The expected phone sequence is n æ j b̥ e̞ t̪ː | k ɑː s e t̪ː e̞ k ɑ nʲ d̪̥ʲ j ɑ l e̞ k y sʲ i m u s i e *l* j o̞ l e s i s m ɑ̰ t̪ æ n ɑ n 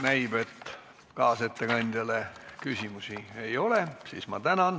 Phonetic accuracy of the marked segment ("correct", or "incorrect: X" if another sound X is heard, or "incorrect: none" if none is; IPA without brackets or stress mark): incorrect: none